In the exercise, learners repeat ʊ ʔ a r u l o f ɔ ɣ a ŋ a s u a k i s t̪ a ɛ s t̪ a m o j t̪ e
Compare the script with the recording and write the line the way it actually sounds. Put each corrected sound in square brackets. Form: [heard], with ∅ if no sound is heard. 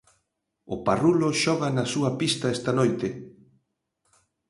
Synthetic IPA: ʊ [p] a r u l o [ʃ] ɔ ɣ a [n] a s u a [p] i s t̪ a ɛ s t̪ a [n] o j t̪ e

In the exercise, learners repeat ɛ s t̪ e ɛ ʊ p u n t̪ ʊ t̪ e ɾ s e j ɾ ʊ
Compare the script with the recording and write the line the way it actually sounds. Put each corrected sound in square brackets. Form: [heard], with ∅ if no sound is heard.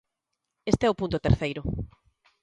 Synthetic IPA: [e] s t̪ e ɛ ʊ p u n t̪ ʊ t̪ e ɾ [θ] e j ɾ ʊ

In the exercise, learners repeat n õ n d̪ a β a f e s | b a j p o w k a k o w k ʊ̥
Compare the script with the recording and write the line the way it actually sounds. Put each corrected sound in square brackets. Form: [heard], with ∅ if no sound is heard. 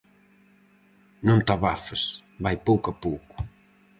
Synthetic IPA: n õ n [t̪] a β a f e s | b a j p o w k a [p] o w k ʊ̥

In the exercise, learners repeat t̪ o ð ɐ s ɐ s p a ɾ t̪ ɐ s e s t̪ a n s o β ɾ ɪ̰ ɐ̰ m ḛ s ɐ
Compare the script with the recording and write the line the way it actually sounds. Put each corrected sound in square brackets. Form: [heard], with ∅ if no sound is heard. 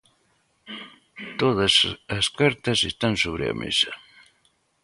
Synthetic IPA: t̪ o ð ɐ s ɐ s [k] a ɾ t̪ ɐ s e s t̪ a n s o β ɾ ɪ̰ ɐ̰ m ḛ s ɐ

